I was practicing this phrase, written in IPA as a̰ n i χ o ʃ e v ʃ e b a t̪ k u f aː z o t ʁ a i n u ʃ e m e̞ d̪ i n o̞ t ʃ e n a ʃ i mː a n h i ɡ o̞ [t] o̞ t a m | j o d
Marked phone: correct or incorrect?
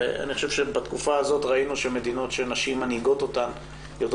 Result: correct